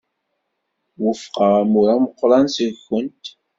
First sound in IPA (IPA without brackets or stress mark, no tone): w